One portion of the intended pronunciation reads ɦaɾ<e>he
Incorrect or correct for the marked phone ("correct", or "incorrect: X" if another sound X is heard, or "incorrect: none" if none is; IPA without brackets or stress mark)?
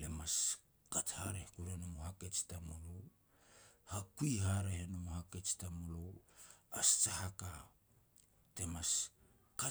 correct